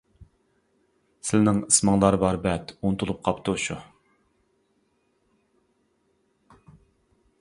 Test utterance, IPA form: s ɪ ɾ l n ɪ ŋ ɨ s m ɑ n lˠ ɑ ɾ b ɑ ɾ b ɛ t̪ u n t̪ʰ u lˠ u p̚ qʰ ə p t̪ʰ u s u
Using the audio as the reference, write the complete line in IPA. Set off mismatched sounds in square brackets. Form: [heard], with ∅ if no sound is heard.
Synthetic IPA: s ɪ [∅] l n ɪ ŋ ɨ s m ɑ [ŋ] lˠ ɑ ɾ b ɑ ɾ b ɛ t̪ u n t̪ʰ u lˠ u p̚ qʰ [ɑ] p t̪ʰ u [ʃ] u